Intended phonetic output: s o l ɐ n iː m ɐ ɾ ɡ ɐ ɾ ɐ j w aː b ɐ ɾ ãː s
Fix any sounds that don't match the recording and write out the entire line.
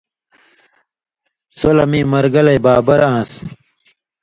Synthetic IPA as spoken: s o l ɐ m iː m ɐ ɾ ɡ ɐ l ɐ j b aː b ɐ ɾ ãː s